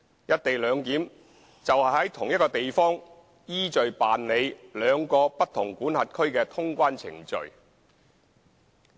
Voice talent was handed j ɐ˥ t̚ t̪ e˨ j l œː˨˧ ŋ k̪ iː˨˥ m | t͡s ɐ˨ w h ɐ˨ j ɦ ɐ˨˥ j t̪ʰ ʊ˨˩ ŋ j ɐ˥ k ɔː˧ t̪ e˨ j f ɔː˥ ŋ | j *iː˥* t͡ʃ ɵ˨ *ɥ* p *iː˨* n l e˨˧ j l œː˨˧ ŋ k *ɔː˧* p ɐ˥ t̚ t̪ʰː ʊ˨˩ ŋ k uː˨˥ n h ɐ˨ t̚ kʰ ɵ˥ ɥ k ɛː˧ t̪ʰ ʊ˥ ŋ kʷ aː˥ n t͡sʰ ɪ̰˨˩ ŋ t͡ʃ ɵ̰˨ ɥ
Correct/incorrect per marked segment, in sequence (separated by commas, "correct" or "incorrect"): correct, correct, incorrect, correct